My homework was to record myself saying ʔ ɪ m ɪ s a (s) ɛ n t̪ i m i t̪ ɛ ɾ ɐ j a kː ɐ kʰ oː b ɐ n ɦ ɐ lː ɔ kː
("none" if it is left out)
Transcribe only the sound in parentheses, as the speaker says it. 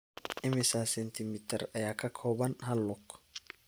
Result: s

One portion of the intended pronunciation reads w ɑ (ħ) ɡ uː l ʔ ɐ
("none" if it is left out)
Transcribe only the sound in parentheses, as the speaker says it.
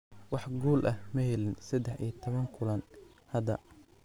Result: ħ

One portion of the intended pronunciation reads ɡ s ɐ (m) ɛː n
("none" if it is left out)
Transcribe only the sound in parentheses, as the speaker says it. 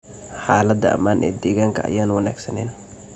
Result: n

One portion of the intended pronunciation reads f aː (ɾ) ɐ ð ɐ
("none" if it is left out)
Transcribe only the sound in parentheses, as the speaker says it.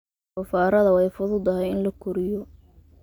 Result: ɾ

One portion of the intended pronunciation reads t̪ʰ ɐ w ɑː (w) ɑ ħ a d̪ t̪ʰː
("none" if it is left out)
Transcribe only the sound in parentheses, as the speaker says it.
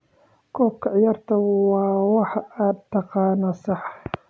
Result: w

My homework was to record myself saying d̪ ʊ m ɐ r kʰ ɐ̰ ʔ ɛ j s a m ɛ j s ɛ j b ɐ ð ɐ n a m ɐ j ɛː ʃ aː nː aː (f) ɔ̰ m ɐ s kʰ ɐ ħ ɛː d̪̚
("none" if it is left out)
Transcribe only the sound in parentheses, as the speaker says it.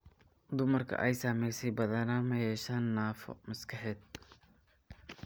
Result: f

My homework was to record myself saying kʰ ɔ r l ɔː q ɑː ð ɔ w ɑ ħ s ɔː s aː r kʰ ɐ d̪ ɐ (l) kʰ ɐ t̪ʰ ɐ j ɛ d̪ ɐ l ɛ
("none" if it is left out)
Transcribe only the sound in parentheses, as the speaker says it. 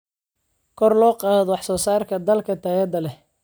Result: l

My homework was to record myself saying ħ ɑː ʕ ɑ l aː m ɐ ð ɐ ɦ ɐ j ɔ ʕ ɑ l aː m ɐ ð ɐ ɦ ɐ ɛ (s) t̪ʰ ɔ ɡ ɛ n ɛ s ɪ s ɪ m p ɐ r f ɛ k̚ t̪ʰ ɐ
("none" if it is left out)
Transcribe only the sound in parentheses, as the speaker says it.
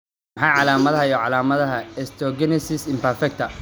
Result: s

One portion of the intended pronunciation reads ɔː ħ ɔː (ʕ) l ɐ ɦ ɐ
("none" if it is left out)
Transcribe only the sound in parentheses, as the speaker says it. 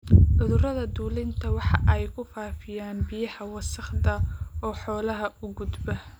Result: none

